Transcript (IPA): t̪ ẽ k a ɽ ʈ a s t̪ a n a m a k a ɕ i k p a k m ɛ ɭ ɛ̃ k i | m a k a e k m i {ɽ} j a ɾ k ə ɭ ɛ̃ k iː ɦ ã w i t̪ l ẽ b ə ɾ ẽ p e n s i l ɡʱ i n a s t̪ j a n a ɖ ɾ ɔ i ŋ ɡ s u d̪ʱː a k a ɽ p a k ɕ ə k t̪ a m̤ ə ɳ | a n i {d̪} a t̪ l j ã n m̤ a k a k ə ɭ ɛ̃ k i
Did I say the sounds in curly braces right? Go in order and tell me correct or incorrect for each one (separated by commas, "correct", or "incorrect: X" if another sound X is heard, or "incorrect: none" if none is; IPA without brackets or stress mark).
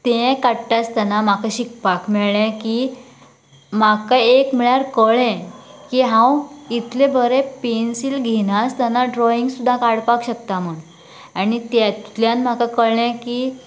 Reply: incorrect: ɭ, incorrect: t̪